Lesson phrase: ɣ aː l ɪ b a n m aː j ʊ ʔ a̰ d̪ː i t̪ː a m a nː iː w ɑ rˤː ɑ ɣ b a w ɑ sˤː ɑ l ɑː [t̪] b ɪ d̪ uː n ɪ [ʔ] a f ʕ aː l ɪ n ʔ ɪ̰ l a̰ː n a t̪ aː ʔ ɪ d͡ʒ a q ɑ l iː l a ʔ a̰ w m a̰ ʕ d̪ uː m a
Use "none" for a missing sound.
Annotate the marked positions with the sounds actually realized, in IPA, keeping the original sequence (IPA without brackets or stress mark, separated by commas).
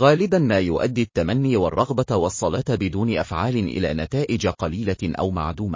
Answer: t̪, ʔ